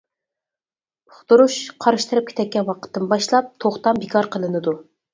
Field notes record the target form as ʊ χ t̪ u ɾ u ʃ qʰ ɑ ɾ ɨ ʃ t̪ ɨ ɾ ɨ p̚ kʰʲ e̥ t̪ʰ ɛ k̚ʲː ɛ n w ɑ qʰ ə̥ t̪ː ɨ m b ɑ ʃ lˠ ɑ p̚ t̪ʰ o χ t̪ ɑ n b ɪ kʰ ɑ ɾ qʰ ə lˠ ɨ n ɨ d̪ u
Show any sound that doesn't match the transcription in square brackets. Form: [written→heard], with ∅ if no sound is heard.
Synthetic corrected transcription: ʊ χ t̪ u ɾ u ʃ qʰ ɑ ɾ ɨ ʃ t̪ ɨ ɾ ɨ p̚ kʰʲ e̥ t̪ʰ ɛ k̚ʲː ɛ n w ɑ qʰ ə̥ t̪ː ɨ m b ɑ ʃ lˠ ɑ p̚ t̪ʰ o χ t̪ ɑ [n→m] b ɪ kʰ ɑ ɾ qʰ ə lˠ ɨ n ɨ d̪ u